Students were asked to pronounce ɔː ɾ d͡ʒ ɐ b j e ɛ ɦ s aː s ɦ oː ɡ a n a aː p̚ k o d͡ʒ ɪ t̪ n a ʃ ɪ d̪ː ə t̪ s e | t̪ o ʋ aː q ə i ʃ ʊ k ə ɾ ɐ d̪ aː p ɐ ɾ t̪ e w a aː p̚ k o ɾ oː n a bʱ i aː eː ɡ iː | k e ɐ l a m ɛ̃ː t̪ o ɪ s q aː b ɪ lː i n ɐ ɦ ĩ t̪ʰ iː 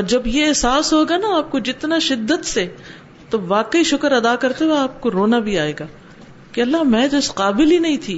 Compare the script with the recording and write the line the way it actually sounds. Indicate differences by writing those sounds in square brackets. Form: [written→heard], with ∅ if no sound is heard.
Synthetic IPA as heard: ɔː ɾ d͡ʒ ɐ b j e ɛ ɦ s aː s ɦ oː ɡ a n a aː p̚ k o d͡ʒ ɪ t̪ n a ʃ ɪ d̪ː ə t̪ s e | t̪ o ʋ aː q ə i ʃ ʊ k ə ɾ ɐ d̪ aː [p→k] ɐ ɾ t̪ e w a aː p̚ k o ɾ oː n a bʱ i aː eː ɡ [iː→aː] | k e ɐ [l→lː] a m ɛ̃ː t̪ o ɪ s q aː b ɪ [lː→l] i n ɐ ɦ ĩ t̪ʰ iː